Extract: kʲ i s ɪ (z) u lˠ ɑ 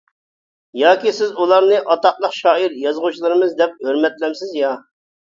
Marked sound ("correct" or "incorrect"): correct